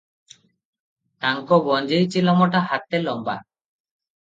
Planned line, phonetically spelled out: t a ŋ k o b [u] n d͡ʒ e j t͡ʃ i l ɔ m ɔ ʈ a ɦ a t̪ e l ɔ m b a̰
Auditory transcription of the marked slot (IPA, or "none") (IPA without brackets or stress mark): ɔ